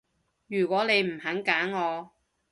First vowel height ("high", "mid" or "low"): high